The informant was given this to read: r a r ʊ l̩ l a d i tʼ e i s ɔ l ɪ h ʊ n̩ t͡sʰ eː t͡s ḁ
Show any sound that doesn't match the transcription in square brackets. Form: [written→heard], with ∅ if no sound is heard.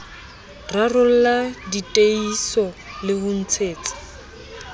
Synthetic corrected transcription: r a r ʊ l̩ l a d i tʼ e i s ɔ l ɪ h ʊ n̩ t͡sʰ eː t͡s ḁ